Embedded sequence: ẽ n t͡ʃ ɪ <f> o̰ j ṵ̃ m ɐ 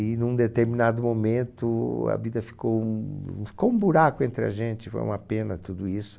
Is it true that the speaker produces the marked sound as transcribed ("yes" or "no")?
yes